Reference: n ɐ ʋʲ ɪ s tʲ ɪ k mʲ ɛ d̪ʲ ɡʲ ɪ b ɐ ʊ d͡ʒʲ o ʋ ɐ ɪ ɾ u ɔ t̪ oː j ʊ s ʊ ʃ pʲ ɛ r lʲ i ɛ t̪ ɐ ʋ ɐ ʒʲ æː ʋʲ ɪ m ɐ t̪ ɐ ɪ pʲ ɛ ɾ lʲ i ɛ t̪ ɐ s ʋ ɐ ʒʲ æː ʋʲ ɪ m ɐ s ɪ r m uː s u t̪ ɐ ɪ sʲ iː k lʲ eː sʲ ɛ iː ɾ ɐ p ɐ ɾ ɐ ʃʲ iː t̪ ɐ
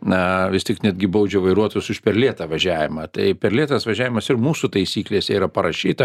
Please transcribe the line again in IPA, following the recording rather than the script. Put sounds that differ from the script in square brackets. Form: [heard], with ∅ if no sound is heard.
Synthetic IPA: n ɐ ʋʲ ɪ s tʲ ɪ k [nʲ] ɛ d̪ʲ ɡʲ ɪ b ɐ ʊ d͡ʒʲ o ʋ ɐ ɪ ɾ u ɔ t̪ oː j ʊ s ʊ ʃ pʲ ɛ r lʲ i ɛ t̪ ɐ ʋ ɐ ʒʲ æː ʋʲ ɪ m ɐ t̪ ɐ ɪ pʲ ɛ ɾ lʲ i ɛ t̪ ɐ s ʋ ɐ ʒʲ æː ʋʲ ɪ m ɐ s ɪ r m uː s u t̪ ɐ ɪ sʲ iː k lʲ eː sʲ ɛ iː ɾ ɐ p ɐ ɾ ɐ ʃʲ iː t̪ ɐ

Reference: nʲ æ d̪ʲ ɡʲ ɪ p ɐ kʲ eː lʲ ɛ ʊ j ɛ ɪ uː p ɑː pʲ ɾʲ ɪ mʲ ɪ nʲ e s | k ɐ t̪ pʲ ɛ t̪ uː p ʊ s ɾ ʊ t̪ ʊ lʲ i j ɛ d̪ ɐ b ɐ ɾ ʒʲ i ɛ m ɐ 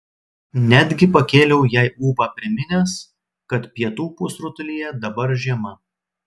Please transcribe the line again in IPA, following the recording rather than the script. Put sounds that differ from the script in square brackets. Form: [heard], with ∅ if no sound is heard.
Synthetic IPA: nʲ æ d̪ʲ ɡʲ ɪ p ɐ kʲ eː lʲ ɛ ʊ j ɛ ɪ uː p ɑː pʲ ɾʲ ɪ mʲ ɪ nʲ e s | k ɐ t̪ pʲ ɛ t̪ uː p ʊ s ɾ ʊ t̪ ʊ lʲ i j ɛ d̪ ɐ b ɐ ɾ ʒʲ i ɛ m ɐ

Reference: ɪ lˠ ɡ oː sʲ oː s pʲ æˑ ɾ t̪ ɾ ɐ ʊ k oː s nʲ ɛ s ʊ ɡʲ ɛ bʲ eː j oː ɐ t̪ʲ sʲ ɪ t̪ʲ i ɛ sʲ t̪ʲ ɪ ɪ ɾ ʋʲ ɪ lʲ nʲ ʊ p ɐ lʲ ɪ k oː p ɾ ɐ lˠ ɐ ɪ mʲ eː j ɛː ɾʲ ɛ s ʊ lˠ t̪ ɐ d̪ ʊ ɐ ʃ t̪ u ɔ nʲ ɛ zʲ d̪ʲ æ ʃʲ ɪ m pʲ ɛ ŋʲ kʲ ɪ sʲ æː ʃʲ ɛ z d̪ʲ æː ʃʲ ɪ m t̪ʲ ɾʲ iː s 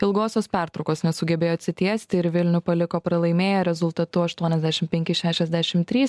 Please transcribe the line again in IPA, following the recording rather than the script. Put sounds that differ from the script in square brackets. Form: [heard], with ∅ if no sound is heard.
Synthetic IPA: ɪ lˠ ɡ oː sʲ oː s pʲ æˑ ɾ t̪ ɾ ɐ ʊ k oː s nʲ ɛ s ʊ ɡʲ ɛ bʲ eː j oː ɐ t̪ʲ sʲ ɪ t̪ʲ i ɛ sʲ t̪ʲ ɪ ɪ ɾ ʋʲ ɪ lʲ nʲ ʊ p ɐ lʲ ɪ k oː p ɾ ɐ lˠ ɐ ɪ mʲ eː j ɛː ɾʲ ɛ [z] ʊ lˠ t̪ ɐ [t̪] ʊ ɐ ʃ t̪ u ɔ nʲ ɛ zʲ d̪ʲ æ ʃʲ ɪ m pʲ ɛ ŋʲ kʲ ɪ [ʃʲ] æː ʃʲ ɛ z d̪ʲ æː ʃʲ ɪ m t̪ʲ ɾʲ iː s

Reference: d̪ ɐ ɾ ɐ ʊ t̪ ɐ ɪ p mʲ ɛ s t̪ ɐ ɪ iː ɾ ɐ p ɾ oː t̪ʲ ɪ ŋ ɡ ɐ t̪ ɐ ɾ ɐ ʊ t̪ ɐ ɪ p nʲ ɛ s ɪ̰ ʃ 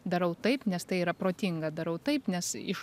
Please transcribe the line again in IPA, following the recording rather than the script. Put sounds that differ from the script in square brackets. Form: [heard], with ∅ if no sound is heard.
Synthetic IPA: d̪ ɐ ɾ ɐ ʊ t̪ ɐ ɪ p [nʲ] ɛ s t̪ ɐ ɪ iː ɾ ɐ p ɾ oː t̪ʲ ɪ ŋ ɡ ɐ [d̪] ɐ ɾ ɐ ʊ t̪ ɐ ɪ p nʲ ɛ s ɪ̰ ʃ

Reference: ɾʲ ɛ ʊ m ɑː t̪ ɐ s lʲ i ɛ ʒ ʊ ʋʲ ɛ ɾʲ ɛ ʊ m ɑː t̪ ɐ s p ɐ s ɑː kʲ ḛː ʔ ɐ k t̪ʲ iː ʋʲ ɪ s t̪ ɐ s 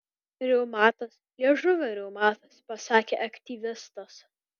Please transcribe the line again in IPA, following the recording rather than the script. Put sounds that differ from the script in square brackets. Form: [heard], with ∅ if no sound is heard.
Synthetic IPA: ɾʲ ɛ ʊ m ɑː t̪ ɐ s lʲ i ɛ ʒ ʊ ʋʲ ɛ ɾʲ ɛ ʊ m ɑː t̪ ɐ s p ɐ s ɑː kʲ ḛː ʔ ɐ k t̪ʲ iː ʋʲ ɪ s t̪ ɐ s

